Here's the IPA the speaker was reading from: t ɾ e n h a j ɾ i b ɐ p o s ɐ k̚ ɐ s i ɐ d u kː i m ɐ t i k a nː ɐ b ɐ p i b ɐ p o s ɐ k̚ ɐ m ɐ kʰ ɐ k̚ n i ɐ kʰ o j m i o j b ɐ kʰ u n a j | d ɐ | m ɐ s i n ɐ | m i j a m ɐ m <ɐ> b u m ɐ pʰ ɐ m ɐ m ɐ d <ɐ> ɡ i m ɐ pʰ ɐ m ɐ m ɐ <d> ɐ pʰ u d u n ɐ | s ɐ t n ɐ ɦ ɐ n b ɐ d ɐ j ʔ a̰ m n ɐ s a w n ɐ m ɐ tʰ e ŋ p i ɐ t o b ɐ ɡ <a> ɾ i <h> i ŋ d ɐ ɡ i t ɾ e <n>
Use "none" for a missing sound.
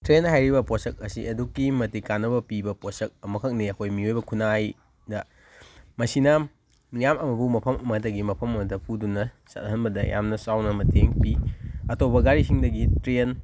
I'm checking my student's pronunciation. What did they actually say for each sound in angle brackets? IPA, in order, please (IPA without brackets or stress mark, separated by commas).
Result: ɐ, ɐ, d, a, s, n